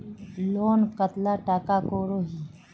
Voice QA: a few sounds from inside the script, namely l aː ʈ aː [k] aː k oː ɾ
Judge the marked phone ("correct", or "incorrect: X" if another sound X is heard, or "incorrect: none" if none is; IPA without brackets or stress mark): correct